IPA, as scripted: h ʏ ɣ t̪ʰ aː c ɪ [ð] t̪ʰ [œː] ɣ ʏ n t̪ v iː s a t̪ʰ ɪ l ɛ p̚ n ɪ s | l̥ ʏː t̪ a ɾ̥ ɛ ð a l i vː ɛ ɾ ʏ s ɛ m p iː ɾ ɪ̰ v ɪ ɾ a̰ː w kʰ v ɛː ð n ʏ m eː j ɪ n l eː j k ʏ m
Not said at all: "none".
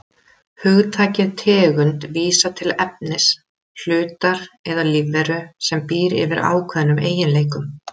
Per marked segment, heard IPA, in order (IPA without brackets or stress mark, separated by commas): ð, ɛː